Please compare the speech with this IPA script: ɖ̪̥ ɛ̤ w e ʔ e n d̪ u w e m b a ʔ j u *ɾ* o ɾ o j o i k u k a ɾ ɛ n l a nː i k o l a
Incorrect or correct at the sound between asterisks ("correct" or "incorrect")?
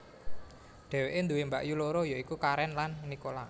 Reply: incorrect